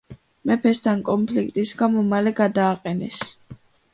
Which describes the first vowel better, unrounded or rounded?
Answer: unrounded